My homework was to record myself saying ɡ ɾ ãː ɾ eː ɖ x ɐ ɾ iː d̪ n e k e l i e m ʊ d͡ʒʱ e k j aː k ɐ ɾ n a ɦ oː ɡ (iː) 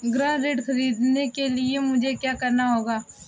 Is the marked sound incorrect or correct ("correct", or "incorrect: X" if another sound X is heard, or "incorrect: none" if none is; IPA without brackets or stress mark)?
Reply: incorrect: aː